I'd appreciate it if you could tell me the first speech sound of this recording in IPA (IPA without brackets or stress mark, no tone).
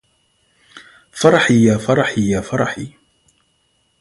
f